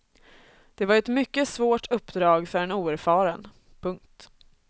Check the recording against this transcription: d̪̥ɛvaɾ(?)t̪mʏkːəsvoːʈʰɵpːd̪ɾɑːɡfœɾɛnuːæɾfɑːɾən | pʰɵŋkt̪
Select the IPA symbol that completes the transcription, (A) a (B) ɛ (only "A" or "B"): B